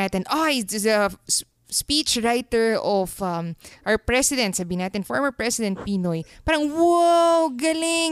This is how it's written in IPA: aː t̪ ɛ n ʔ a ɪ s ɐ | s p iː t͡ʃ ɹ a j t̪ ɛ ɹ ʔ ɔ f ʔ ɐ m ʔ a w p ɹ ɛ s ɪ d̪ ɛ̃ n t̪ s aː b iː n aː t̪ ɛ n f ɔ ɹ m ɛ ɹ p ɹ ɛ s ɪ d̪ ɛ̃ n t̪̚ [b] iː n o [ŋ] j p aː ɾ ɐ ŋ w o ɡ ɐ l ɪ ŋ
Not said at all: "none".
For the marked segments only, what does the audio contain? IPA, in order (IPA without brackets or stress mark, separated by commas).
p, none